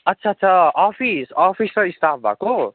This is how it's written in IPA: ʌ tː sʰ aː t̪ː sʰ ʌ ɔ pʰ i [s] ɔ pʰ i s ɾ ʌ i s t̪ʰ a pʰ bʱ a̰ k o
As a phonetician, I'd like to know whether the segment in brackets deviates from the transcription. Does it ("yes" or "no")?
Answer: no